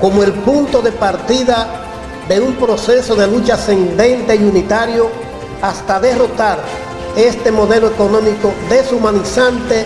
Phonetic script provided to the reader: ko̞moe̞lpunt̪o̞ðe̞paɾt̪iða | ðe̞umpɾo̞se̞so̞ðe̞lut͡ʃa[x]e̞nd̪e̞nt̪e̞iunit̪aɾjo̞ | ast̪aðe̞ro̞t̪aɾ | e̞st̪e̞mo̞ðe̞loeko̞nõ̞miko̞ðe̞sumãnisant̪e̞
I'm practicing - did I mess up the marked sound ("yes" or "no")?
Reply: yes